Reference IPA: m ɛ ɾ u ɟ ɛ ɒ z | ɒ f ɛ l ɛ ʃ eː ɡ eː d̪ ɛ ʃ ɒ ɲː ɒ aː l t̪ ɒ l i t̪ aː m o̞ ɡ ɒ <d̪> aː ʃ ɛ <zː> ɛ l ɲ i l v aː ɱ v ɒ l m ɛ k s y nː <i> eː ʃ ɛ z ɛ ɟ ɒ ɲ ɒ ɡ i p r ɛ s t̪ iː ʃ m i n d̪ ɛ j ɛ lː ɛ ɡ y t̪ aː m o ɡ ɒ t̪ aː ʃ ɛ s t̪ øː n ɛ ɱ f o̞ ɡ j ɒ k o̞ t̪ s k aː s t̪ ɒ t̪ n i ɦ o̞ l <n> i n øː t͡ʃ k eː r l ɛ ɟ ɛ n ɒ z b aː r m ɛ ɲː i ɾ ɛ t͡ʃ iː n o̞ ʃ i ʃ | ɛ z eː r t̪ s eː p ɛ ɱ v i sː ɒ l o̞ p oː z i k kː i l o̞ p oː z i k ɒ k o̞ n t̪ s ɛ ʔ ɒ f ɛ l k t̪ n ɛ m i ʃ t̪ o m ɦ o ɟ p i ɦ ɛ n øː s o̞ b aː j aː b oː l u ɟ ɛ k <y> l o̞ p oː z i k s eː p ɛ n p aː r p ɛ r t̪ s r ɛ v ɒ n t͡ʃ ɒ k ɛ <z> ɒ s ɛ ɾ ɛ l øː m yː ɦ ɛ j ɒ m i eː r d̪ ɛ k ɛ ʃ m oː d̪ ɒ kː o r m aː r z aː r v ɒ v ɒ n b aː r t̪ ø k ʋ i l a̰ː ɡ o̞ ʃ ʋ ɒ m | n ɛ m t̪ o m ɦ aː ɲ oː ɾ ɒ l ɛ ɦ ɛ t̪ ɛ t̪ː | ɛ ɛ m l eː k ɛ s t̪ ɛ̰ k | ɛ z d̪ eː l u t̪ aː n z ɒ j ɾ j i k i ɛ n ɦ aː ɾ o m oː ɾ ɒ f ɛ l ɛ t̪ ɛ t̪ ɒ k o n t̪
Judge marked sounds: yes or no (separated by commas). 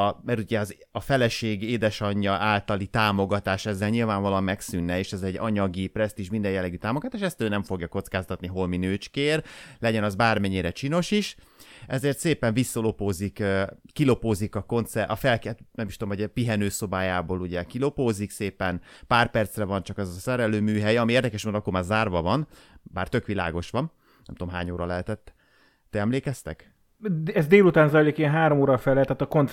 no, yes, no, no, no, yes